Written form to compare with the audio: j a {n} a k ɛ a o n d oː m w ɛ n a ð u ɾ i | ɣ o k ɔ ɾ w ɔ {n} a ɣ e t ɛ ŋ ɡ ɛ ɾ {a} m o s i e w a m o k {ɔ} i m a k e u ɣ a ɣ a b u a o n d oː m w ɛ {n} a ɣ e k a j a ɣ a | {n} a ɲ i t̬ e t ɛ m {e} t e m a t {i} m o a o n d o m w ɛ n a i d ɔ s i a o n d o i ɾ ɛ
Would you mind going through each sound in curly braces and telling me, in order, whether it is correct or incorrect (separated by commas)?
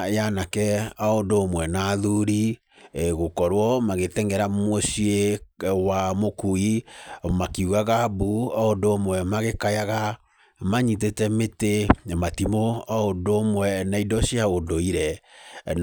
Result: correct, incorrect, correct, incorrect, incorrect, incorrect, correct, correct